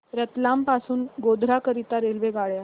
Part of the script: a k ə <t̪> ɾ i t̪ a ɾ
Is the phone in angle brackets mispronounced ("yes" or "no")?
yes